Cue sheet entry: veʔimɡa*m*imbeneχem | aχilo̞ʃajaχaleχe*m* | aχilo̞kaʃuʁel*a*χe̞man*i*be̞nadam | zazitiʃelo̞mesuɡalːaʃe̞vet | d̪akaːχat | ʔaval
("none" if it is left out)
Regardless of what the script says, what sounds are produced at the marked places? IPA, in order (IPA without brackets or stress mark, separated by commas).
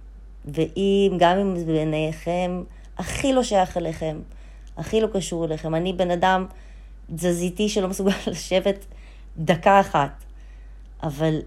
m, m, e, i